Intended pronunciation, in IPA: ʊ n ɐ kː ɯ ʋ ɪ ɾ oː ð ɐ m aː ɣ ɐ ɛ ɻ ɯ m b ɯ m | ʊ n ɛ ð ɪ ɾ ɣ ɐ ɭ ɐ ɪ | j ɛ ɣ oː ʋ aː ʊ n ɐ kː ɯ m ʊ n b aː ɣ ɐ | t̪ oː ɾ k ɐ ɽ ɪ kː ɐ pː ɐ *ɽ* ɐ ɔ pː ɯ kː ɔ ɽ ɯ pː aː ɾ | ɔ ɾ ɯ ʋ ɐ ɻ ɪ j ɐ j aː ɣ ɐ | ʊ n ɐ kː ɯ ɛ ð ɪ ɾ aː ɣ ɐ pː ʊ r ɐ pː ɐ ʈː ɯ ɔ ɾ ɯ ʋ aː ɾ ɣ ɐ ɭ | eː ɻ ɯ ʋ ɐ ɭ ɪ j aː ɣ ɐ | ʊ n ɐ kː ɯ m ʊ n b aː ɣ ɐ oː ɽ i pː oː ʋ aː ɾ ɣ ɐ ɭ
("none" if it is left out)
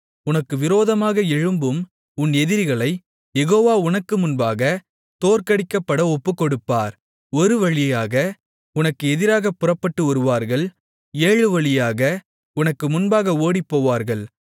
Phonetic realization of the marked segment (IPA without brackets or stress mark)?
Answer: ɽ